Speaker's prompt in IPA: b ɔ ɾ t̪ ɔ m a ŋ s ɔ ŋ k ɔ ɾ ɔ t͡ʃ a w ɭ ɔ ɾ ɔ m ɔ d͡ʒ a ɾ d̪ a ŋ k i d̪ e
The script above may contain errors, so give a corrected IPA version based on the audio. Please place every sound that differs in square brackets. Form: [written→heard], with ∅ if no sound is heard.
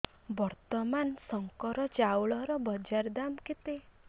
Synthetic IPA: b ɔ ɾ t̪ ɔ m a [ŋ→n] s ɔ ŋ k ɔ ɾ ɔ t͡ʃ a w ɭ ɔ ɾ ɔ [m→b] ɔ d͡ʒ a ɾ d̪ a [ŋ→m] k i [d̪→t̪] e